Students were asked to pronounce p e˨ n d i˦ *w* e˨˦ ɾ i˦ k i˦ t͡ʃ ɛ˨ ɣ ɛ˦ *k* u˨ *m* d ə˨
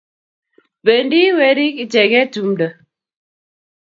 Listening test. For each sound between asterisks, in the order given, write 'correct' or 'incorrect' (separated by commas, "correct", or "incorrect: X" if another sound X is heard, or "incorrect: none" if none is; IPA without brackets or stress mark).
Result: correct, incorrect: t, correct